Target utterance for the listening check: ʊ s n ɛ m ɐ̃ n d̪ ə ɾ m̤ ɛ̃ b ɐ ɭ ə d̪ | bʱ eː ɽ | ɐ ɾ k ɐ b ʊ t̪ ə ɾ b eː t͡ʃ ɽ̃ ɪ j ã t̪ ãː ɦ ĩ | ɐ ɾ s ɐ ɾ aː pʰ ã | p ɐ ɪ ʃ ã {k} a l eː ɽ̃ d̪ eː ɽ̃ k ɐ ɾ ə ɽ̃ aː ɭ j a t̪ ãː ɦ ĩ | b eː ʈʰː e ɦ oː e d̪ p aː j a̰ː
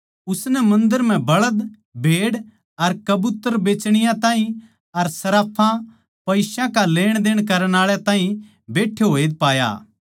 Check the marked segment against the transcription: correct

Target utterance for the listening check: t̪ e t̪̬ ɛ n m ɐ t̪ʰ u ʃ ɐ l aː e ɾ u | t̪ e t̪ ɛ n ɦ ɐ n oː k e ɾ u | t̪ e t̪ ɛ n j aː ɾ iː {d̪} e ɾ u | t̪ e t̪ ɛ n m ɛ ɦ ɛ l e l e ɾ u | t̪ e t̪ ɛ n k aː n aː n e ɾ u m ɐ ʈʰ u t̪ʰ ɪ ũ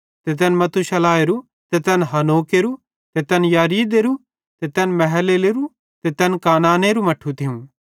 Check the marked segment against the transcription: correct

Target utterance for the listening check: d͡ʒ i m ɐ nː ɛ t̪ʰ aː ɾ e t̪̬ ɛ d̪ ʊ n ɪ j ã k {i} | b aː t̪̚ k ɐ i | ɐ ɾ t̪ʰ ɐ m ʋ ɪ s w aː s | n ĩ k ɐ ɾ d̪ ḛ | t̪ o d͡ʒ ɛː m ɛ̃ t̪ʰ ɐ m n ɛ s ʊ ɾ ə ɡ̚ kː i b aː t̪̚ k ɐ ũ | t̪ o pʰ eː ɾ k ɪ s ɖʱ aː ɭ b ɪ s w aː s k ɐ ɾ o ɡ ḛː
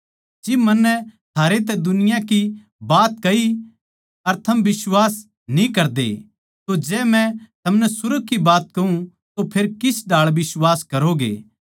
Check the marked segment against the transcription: correct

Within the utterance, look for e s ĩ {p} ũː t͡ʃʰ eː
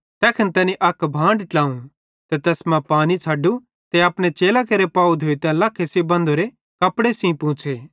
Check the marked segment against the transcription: correct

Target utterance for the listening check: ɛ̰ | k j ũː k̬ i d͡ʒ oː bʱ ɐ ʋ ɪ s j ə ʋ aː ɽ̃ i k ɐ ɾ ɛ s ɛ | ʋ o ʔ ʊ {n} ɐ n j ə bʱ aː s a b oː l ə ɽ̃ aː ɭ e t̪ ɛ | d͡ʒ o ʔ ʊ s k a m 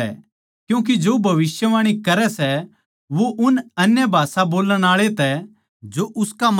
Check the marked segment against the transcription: correct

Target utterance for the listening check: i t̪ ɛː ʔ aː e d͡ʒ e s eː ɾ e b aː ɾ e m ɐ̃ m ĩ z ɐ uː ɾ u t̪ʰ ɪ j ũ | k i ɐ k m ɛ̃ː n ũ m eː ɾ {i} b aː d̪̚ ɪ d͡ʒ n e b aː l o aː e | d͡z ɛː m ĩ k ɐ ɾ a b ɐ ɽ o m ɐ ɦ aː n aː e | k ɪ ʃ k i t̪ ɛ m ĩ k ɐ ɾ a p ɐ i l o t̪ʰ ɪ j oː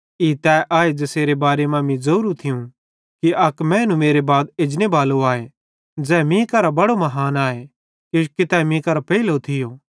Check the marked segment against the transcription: incorrect: e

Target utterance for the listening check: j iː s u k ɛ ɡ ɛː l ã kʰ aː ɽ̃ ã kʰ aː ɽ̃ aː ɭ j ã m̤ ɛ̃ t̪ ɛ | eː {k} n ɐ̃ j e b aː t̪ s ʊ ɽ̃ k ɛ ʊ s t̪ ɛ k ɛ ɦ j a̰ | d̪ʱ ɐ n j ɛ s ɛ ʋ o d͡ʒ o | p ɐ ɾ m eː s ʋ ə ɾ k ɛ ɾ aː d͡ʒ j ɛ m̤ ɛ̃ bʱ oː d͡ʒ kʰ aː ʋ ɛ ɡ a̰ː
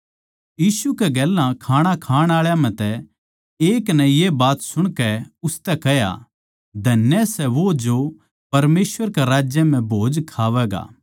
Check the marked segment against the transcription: correct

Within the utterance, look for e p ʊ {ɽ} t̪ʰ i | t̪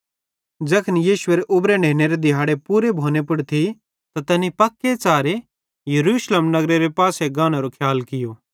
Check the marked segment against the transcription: correct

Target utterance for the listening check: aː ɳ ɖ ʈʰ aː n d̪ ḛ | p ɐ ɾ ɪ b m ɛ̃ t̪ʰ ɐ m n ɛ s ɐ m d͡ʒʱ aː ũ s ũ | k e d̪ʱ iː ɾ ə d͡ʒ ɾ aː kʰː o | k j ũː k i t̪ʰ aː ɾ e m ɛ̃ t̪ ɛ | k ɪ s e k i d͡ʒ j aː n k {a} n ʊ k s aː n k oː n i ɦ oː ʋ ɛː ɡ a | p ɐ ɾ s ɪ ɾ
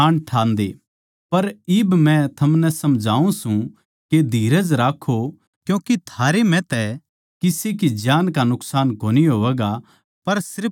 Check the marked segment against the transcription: correct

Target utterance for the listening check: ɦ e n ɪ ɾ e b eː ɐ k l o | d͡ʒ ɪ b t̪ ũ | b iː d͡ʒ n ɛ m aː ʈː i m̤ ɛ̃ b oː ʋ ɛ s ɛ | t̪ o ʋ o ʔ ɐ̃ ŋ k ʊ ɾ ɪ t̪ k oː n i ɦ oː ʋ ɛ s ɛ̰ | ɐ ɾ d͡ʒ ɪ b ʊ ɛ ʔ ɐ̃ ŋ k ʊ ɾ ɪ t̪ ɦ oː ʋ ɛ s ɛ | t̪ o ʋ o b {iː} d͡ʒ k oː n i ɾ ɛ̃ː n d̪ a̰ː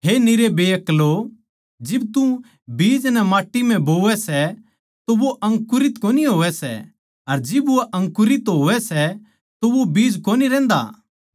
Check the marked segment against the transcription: correct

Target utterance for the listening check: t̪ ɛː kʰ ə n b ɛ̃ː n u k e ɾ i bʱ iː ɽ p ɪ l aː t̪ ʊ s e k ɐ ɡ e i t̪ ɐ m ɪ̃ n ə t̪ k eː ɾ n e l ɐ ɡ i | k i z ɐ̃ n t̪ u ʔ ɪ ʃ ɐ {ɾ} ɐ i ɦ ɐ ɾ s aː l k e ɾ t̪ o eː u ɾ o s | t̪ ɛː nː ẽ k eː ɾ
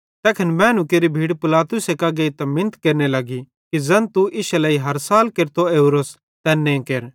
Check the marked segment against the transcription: incorrect: l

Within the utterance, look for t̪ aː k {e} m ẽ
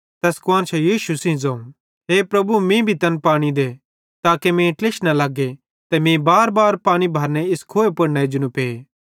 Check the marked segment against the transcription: correct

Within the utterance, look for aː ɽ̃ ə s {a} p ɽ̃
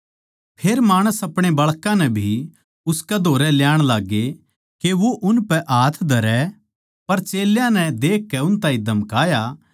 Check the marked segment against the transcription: incorrect: ɐ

